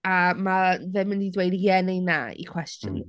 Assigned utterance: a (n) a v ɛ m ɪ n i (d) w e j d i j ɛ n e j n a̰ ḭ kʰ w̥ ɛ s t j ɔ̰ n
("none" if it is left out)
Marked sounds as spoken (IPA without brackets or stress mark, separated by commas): m, d